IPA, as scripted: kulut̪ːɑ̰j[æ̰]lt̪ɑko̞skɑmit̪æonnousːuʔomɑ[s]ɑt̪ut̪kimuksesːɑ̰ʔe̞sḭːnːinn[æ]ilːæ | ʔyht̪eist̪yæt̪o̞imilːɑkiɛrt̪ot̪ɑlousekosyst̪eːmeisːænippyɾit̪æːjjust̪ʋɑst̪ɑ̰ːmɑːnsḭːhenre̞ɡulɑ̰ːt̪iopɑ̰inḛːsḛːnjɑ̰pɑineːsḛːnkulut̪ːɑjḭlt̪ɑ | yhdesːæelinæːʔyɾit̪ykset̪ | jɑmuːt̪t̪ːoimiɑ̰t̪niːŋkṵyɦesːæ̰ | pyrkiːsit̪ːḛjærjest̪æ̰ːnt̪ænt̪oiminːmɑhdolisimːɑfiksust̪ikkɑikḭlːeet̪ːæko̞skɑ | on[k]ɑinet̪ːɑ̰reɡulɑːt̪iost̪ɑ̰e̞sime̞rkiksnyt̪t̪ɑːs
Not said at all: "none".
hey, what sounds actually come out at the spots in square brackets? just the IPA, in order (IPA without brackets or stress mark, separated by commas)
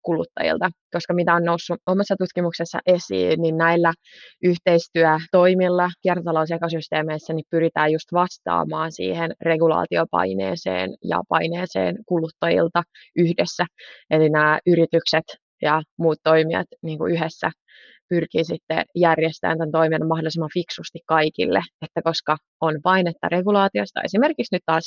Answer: ḭ, sː, æ, p